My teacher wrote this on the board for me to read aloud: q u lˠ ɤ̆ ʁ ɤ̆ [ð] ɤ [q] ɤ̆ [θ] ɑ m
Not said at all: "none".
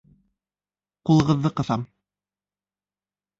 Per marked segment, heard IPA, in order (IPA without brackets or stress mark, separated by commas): ðː, q, θ